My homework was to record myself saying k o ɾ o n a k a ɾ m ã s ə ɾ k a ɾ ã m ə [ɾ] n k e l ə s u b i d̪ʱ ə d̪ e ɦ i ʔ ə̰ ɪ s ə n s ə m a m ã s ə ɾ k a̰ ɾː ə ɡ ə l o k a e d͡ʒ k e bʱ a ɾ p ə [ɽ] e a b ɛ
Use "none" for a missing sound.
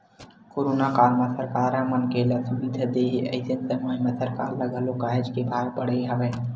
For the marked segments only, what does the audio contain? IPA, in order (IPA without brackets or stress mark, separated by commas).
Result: none, ɽ